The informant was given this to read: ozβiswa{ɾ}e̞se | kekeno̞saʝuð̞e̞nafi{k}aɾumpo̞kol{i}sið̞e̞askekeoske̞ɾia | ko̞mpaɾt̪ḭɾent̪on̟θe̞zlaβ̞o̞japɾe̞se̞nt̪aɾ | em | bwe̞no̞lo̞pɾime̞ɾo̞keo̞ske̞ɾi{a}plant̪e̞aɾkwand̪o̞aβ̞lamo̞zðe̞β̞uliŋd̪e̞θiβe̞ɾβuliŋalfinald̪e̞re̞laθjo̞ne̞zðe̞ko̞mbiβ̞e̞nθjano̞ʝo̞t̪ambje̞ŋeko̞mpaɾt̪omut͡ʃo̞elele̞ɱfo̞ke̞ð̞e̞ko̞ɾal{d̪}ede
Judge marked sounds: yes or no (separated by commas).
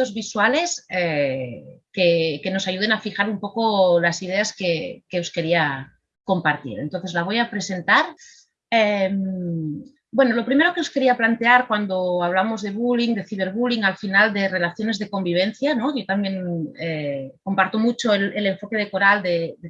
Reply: no, no, no, yes, yes